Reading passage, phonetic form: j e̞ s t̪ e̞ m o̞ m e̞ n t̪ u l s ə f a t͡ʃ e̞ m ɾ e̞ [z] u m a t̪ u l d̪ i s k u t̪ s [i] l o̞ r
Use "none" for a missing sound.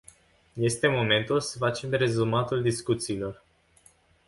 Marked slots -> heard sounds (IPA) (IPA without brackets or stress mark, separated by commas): z, iː